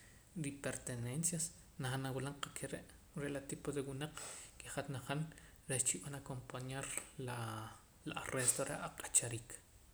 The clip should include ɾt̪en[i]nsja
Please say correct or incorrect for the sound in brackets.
incorrect